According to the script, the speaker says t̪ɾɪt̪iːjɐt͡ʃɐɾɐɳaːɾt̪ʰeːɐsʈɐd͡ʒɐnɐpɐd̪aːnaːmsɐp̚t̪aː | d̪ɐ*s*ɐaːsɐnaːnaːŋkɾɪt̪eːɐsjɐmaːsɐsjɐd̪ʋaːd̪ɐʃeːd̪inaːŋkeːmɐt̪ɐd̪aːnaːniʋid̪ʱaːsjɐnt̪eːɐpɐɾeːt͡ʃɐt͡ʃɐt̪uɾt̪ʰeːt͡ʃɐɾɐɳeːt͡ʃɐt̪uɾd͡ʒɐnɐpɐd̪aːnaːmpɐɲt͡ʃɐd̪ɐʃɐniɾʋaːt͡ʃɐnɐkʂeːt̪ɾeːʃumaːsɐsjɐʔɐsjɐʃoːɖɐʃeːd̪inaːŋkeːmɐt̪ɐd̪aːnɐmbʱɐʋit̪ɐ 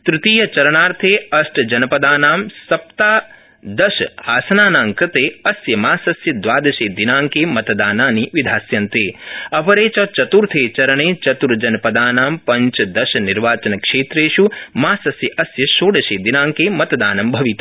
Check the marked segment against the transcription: incorrect: ʃ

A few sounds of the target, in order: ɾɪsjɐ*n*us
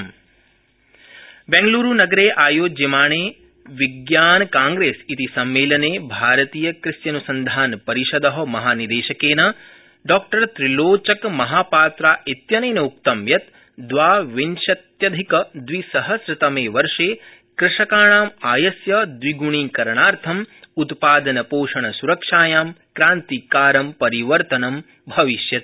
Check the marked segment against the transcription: correct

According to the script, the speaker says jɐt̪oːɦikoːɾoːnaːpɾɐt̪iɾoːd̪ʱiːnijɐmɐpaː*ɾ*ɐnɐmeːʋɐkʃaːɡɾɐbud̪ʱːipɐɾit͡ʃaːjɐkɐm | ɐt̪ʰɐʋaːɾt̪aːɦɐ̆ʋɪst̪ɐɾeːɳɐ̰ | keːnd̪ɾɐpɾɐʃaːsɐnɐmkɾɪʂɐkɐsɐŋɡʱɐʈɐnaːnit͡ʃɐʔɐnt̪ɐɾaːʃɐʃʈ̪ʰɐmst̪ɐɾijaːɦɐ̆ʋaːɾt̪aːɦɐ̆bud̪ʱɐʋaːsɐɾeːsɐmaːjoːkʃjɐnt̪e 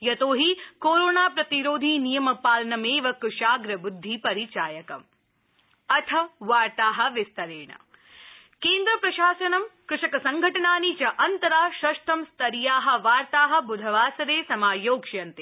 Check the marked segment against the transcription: incorrect: l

